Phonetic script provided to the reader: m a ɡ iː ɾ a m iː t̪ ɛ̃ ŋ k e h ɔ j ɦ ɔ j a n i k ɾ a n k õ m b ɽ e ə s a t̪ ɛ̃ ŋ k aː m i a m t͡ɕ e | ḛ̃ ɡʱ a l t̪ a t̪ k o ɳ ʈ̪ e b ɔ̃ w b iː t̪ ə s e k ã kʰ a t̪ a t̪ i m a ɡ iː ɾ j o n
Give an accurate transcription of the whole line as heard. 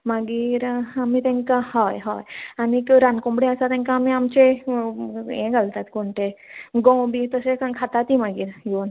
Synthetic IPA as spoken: m a ɡ iː ɾ a m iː t̪ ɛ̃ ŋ k a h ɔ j ɦ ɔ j a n i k ɾ a n k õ m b ɽ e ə s a t̪ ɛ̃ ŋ k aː m i a m t͡ɕ e | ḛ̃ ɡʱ a l t̪ a t̪ k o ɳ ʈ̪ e ɡ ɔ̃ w b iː t̪ ə s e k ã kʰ a t̪ a t̪ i m a ɡ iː ɾ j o n

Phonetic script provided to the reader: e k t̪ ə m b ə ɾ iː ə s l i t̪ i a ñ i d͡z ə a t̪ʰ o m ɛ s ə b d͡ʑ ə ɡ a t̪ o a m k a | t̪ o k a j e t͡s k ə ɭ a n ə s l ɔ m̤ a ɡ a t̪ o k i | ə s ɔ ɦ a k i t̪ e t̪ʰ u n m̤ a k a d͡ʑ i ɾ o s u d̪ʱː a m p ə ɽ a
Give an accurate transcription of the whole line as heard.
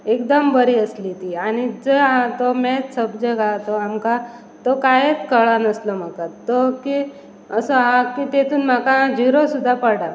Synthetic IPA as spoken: e k d̪ ə m b ə ɾ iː ə s l i t̪ i a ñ i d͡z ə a t̪ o m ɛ s ə b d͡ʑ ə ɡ a t̪ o a m k a | t̪ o k a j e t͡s k ə ɭ a n ə s l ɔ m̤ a k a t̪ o k i | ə s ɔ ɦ a k i t̪ e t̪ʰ uː n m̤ a k a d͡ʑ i ɾ o s u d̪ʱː a p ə ɽ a

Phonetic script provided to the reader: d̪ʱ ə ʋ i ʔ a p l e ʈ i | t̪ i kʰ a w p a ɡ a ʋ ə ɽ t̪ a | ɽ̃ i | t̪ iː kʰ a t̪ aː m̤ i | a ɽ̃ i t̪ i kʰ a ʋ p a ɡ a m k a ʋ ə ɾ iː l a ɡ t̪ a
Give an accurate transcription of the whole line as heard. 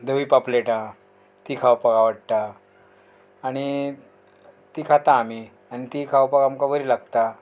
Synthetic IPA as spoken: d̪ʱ ə ʋ i p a p l e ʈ a | t̪ i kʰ a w p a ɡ a ʋ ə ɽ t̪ a | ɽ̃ i | t̪ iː kʰ a t̪ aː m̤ i | a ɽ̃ i t̪ i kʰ a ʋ p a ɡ a m k a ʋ ə ɾ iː l a ɡ t̪ a

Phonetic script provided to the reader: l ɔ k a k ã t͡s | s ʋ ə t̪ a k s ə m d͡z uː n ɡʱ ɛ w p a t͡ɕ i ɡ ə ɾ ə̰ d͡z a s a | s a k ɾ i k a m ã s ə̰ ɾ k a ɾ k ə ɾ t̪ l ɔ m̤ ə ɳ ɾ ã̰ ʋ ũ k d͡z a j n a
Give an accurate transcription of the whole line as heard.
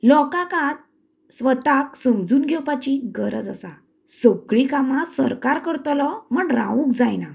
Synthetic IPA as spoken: l ɔ k a k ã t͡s | s ʋ ə t̪ a k s ə m d͡z uː n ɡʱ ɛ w p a t͡ɕ i ɡ ə ɾ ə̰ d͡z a s a | s ə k ɭ i k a m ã s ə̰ ɾ k a ɾ k ə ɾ t̪ l ɔ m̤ ə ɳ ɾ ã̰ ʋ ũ k d͡z a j n a

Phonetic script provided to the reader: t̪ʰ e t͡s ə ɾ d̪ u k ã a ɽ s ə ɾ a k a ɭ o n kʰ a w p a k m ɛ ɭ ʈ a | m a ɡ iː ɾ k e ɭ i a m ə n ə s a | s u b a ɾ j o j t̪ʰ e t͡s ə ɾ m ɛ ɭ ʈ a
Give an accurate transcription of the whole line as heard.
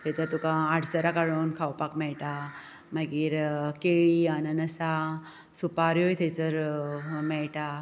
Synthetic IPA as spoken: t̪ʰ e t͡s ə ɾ t̪ u k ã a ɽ s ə ɾ a k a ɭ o n kʰ a w p a k m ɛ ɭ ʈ a | m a ɡ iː ɾ k e ɭ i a n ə n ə s a | s u p a ɾ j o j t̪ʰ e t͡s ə ɾ m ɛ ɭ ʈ a

